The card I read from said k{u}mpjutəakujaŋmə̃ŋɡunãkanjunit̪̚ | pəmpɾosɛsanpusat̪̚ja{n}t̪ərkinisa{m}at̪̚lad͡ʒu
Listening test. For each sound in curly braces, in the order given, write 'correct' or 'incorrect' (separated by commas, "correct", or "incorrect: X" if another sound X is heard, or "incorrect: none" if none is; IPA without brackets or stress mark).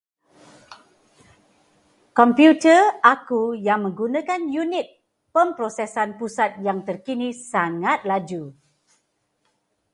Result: incorrect: ɔ, incorrect: ŋ, incorrect: ŋ